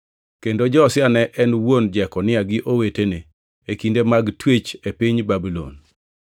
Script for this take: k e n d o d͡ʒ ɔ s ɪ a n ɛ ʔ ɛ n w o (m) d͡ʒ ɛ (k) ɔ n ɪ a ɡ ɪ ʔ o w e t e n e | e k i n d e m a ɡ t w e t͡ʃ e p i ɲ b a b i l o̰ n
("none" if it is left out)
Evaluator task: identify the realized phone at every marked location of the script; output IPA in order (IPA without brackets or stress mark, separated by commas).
n, k